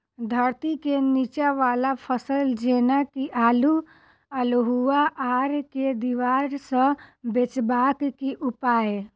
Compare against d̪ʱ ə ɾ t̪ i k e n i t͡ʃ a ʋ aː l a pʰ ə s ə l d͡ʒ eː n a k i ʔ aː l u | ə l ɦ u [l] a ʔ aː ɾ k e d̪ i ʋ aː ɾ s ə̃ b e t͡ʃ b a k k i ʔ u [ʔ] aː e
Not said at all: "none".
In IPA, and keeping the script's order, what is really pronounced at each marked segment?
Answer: none, p

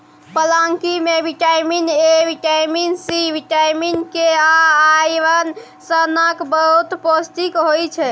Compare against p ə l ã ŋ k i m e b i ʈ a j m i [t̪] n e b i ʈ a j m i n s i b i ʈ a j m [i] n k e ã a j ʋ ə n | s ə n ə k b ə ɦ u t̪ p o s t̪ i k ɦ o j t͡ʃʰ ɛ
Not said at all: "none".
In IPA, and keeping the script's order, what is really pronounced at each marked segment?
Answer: none, i

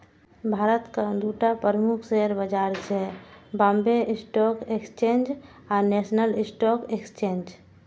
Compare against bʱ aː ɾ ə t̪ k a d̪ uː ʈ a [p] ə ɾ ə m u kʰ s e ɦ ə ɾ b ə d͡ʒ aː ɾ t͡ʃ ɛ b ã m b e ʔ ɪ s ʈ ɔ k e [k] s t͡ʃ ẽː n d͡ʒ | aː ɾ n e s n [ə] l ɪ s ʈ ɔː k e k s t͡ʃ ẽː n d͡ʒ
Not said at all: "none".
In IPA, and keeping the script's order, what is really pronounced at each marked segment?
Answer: p, k, ə

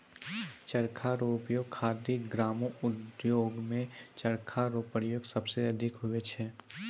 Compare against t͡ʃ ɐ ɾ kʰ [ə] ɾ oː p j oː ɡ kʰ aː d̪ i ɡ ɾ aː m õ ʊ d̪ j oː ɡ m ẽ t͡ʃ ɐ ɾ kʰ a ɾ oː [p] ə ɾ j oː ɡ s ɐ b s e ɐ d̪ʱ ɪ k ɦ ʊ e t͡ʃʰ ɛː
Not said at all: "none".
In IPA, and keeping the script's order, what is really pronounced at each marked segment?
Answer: a, p

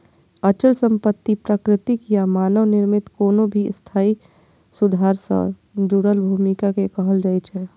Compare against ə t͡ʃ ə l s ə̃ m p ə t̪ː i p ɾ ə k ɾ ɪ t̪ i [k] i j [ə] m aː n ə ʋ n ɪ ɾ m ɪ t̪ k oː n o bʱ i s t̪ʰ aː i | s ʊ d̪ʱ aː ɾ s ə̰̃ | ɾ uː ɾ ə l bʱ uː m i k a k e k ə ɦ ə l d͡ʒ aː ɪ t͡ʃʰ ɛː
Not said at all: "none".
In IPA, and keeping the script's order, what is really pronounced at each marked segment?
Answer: k, a

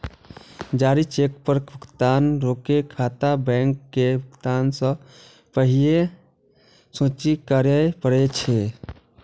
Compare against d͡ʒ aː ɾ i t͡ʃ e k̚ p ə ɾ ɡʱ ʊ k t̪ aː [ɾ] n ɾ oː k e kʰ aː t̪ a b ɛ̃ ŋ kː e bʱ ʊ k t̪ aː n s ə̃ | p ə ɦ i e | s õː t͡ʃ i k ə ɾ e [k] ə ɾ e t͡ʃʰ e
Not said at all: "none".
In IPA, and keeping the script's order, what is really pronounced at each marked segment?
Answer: none, p

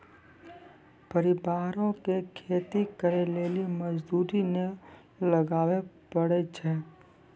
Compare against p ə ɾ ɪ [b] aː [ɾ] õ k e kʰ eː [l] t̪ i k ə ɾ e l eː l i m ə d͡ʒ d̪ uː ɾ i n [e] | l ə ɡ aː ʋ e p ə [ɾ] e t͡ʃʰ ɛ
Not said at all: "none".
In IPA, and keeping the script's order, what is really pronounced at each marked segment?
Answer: b, ɾ, none, e, ɽ

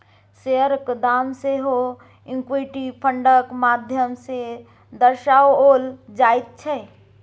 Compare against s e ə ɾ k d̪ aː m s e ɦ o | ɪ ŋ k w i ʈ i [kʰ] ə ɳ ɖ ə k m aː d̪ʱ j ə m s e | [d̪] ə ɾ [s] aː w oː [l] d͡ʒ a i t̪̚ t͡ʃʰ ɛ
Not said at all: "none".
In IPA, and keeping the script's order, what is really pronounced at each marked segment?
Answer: pʰ, d̪, ʃ, l

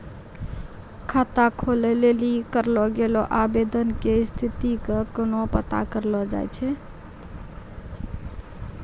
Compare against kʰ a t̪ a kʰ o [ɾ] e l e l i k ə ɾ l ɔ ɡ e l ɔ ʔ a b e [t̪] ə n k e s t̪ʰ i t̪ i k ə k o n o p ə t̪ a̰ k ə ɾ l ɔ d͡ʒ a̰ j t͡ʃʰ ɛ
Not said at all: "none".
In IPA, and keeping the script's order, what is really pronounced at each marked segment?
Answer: l, d̪

